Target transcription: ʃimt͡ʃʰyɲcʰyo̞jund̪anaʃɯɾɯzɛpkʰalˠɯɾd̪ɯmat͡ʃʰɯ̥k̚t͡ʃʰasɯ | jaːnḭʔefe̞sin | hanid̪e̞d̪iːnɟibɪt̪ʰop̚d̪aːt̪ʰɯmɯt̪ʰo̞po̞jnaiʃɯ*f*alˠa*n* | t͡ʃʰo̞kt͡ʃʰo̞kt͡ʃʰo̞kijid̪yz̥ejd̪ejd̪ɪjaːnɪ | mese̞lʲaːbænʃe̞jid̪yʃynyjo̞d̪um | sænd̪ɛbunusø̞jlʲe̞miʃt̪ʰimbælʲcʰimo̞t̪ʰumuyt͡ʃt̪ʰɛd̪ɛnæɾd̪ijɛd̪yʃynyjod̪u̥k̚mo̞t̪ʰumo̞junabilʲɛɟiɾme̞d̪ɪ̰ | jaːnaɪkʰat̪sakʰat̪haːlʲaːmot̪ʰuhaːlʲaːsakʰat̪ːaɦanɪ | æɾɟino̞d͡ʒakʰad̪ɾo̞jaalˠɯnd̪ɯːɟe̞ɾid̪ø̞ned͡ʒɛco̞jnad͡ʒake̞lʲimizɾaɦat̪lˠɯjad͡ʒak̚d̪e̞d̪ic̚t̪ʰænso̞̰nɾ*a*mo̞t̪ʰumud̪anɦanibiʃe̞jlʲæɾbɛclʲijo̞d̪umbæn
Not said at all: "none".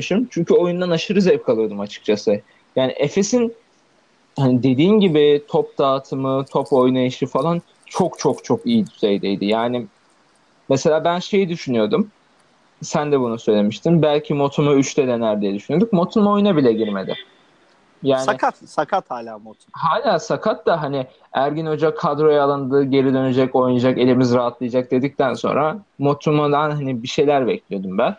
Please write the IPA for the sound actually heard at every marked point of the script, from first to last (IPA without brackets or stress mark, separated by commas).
f, n, a